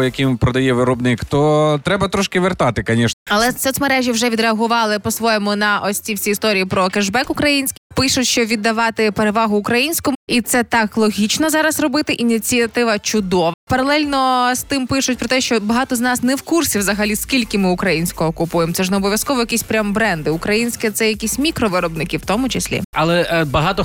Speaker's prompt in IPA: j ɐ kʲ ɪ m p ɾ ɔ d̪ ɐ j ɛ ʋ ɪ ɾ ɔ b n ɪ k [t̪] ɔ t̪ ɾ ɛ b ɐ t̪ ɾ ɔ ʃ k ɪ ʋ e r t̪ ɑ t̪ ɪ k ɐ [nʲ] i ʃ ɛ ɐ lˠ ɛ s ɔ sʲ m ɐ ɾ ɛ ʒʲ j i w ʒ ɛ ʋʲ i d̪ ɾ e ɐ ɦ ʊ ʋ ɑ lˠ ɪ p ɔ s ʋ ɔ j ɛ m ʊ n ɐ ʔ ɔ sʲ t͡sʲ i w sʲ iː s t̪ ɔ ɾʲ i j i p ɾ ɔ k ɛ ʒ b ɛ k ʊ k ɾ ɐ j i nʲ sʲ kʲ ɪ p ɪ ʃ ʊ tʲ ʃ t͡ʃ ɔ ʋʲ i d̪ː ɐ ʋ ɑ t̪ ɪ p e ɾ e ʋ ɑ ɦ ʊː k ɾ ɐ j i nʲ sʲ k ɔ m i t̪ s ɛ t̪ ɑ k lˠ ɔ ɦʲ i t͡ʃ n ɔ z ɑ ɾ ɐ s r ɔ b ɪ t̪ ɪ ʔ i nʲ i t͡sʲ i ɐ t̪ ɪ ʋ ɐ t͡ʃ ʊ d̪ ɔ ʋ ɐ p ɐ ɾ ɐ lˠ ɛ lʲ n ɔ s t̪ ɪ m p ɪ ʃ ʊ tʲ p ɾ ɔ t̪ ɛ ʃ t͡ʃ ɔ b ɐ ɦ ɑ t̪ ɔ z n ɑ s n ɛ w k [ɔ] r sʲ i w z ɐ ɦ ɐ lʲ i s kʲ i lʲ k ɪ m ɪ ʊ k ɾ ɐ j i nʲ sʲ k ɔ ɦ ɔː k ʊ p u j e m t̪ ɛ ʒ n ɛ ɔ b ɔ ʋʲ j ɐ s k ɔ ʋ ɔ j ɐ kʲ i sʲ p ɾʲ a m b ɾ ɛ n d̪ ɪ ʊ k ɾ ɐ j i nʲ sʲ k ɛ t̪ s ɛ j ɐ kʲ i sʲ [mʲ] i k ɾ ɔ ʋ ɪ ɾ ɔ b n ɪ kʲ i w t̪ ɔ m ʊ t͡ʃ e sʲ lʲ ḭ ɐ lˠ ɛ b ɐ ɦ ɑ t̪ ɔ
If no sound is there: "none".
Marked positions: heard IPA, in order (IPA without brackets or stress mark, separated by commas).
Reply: t̪, nʲ, u, mʲ